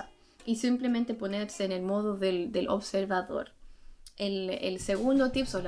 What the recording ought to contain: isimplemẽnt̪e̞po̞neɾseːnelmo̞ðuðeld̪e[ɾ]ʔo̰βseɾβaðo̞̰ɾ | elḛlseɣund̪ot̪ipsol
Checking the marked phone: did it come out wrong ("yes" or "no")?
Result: yes